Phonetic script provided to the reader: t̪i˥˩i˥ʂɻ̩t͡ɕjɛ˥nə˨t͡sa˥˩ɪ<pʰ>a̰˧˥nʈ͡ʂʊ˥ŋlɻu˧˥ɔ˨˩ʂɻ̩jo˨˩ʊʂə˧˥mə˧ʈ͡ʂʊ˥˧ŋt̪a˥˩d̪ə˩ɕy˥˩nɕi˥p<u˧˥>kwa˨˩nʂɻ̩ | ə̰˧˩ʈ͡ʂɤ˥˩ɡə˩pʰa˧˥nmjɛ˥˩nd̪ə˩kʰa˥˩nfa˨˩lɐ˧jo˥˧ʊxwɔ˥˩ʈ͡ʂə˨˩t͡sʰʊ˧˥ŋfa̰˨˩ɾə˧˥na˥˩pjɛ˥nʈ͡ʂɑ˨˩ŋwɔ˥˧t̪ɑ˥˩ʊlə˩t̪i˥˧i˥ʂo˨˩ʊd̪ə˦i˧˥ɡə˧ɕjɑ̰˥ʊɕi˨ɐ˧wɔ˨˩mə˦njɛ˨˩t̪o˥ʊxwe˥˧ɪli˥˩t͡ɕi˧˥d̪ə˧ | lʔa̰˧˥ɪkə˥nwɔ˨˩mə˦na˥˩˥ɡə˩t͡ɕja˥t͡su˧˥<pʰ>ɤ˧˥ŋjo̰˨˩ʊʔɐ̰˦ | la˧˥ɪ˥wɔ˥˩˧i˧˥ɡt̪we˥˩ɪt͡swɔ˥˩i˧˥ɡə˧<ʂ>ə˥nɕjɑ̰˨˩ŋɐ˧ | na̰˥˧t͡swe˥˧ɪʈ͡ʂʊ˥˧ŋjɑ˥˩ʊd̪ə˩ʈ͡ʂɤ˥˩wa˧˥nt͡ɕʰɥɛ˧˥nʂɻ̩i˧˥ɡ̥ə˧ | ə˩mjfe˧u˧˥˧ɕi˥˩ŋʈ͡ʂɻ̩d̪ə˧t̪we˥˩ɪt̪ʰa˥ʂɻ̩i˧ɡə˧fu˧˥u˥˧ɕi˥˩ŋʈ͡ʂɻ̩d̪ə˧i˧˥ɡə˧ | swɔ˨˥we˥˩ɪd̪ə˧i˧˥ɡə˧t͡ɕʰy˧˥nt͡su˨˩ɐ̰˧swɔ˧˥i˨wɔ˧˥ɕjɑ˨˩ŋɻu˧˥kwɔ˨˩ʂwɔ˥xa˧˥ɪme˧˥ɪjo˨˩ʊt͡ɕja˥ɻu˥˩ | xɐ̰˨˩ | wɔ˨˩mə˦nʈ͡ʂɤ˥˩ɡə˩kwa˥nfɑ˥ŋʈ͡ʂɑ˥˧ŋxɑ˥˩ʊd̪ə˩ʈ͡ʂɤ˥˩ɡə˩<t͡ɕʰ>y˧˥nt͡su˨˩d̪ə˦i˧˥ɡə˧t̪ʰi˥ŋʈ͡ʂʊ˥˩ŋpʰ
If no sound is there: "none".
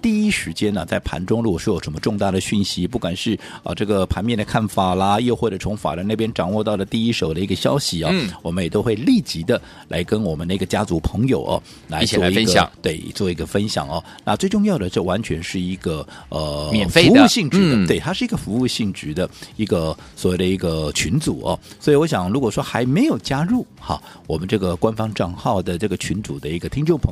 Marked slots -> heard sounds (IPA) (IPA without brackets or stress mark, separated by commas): pʰ, u˥˩, pʰ, f, t͡ɕʰ